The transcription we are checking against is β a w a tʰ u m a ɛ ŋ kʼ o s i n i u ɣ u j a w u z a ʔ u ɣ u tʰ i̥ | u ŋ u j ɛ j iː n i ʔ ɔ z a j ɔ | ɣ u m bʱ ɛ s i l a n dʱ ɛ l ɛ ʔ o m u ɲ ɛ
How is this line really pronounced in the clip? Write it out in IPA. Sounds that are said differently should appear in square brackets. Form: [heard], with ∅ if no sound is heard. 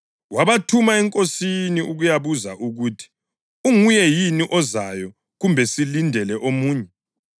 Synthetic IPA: [w] a [β] a tʰ u m a ɛ ŋ kʼ o s i n i u ɣ u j a [β] u z a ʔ u ɣ u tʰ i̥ | u ŋ u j ɛ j [i] n i ʔ ɔ z a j ɔ | ɣ u m bʱ ɛ s i l [i] n dʱ ɛ l ɛ ʔ o m [uː] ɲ ɛ